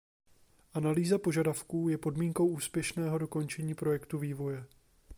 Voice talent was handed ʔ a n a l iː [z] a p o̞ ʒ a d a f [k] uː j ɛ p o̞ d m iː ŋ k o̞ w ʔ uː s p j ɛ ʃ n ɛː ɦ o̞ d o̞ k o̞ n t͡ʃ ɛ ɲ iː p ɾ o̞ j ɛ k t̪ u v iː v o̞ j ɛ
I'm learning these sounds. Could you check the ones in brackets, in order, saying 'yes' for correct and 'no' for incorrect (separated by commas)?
yes, yes